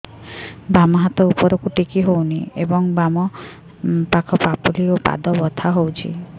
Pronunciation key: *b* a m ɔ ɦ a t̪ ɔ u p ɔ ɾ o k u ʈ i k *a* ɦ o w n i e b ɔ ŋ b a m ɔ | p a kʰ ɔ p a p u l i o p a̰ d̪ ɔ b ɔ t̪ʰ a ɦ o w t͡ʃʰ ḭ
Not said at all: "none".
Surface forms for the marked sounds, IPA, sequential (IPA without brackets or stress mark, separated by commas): b, i